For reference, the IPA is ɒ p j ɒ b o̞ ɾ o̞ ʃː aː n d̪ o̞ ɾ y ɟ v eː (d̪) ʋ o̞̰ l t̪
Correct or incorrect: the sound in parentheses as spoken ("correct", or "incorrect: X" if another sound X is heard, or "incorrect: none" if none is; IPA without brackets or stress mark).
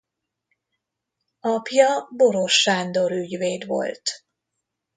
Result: correct